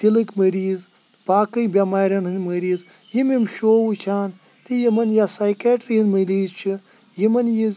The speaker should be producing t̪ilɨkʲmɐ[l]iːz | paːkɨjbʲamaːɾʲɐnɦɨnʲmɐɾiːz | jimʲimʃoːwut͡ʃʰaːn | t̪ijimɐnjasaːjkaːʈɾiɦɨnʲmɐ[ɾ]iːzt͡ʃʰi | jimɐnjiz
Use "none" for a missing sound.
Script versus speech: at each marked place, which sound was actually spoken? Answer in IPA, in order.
ɾ, l

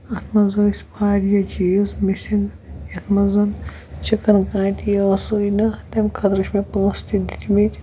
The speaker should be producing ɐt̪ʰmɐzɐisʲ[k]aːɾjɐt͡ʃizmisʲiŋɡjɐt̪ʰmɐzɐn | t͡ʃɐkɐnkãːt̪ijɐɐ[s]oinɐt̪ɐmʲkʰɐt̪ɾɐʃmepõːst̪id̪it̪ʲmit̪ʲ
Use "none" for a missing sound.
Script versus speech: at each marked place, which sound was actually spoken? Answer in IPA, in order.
p, s

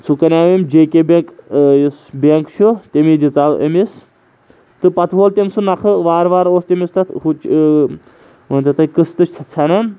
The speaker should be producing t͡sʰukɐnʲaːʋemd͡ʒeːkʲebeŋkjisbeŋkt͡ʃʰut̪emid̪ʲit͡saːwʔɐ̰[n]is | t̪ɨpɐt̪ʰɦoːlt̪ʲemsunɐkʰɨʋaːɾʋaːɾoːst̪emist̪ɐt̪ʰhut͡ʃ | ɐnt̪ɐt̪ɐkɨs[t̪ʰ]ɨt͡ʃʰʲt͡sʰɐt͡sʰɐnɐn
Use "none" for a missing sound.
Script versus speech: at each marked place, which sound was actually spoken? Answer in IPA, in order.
m, t̪

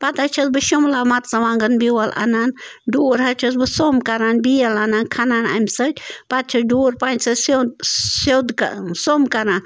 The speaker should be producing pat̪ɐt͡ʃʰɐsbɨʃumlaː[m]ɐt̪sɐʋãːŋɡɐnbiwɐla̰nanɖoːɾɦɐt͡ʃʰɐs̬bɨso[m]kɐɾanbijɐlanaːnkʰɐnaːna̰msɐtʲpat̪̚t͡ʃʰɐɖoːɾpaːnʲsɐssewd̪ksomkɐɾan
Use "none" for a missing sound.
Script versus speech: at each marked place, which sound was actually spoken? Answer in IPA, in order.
m, m

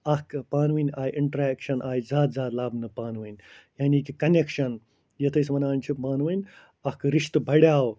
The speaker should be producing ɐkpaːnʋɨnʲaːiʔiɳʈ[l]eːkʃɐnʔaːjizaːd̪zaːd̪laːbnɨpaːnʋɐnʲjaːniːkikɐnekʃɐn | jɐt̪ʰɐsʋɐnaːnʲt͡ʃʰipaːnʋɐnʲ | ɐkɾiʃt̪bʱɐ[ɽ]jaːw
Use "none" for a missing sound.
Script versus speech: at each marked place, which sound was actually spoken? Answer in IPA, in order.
ɾ, ɽ

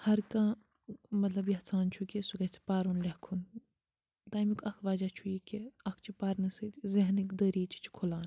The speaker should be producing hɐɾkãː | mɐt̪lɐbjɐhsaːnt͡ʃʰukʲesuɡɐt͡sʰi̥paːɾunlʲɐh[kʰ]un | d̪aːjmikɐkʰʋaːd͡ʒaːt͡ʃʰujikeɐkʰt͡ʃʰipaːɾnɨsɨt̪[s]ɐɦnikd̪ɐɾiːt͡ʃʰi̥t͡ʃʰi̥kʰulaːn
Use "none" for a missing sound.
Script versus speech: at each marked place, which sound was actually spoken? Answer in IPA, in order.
kʰ, z

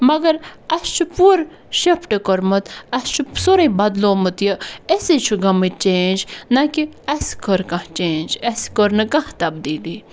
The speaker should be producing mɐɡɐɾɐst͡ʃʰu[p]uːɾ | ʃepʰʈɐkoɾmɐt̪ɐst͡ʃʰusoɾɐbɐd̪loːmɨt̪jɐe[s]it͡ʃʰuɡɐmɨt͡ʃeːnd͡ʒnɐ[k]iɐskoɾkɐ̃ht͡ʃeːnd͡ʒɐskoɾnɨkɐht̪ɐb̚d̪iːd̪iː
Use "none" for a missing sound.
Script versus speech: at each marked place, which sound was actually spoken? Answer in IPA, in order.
p, s, k

